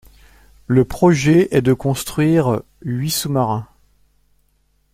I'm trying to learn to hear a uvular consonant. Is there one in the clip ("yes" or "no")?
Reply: yes